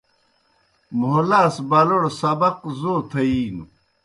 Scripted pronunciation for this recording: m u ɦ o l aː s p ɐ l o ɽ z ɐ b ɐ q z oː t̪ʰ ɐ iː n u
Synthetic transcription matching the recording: m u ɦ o l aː s b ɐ l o ɽ s ɐ b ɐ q z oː t̪ʰ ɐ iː n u

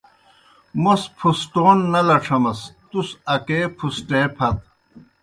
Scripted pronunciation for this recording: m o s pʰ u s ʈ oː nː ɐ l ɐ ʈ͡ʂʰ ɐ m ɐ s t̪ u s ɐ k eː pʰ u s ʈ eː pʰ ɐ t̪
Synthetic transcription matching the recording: m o s pʰ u s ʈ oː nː ɐ l ɐ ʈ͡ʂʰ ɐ m ɐ s t̪ u s ɐ k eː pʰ u s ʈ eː pʰ ɐ t̪

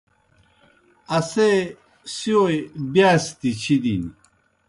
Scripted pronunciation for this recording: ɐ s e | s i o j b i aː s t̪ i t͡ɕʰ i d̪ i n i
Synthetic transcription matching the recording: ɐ s e | s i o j b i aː s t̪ i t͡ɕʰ i d̪ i n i

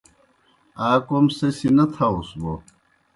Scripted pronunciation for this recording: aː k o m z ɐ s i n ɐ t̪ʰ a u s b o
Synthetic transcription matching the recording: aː k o m s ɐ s i n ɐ t̪ʰ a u s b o

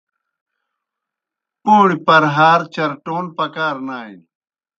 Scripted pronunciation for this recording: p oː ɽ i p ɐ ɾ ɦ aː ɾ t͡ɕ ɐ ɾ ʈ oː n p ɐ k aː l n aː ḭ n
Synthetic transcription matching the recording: p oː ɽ i p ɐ ɾ ɦ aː ɾ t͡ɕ ɐ ɾ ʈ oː n p ɐ k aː ɾ n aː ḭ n

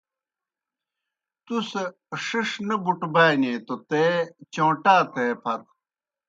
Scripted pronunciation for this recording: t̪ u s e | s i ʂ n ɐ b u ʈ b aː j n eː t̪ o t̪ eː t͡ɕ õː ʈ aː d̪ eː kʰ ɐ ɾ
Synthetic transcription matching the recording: t̪ u s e | ʂ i ʂ n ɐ b u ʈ b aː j n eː t̪ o t̪ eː t͡ɕ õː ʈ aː t̪ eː pʰ ɐ ɾ

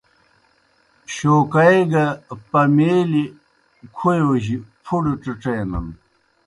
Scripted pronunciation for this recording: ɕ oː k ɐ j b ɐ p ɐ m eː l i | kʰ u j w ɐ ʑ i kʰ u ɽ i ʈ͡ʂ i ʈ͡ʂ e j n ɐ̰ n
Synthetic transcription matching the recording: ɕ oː k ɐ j ɡ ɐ p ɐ m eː l i | kʰ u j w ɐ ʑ i pʰ u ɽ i ʈ͡ʂ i ʈ͡ʂ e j n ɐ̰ n

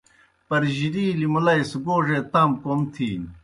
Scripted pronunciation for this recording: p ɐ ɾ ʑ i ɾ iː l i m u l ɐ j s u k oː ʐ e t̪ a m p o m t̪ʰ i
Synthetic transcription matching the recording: p ɐ ɾ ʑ i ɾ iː l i m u l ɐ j s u ɡ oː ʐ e t̪ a m k o m t̪ʰ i

